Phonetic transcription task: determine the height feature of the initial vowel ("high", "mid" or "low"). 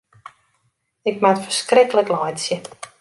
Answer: high